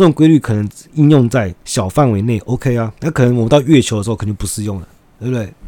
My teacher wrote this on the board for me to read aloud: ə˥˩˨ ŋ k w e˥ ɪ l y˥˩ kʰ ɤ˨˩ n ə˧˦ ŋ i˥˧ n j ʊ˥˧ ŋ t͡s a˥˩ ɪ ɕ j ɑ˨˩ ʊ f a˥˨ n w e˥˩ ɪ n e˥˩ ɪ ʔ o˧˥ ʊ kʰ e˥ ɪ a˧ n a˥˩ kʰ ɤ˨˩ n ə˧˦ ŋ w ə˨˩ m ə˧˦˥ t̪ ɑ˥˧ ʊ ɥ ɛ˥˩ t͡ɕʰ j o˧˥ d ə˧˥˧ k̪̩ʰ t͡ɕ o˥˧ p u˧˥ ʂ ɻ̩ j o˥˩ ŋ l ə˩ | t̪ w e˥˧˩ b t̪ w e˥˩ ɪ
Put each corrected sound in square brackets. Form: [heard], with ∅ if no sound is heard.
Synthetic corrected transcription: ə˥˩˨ ŋ k w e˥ ɪ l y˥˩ kʰ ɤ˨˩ n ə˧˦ ŋ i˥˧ n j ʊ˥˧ ŋ t͡s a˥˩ ɪ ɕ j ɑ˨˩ ʊ f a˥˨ n w [e˧˥] ɪ n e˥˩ ɪ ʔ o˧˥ ʊ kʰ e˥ ɪ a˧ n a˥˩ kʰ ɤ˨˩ n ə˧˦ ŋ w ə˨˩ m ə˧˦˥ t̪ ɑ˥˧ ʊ ɥ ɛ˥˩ t͡ɕʰ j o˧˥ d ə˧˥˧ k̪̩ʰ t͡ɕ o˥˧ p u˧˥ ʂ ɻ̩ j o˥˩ ŋ l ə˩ | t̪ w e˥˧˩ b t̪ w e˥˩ ɪ